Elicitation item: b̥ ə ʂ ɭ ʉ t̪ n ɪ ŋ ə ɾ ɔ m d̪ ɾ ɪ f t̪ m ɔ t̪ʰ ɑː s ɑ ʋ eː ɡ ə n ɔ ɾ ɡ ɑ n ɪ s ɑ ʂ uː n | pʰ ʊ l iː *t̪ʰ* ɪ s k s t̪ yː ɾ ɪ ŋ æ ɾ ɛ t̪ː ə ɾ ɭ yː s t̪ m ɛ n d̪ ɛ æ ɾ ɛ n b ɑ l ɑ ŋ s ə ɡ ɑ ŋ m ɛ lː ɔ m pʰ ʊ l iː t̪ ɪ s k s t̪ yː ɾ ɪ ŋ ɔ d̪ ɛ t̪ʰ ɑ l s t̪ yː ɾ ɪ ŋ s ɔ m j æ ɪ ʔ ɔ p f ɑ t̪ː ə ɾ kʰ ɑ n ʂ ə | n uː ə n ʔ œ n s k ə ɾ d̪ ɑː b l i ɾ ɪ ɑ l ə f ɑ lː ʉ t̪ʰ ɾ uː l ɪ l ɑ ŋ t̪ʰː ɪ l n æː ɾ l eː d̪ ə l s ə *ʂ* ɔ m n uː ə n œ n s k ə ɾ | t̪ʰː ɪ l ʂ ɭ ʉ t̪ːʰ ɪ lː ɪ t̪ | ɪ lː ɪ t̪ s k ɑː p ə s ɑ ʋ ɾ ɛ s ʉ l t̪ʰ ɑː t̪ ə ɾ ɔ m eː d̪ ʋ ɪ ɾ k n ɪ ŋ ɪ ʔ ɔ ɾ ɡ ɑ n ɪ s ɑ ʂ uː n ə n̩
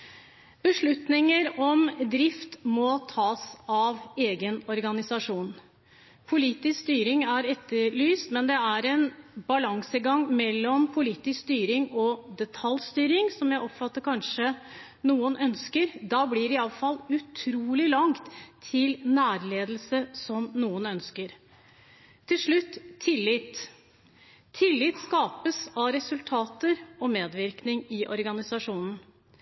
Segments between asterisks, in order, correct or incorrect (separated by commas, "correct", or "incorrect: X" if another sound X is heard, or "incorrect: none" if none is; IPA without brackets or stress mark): incorrect: t̪, incorrect: s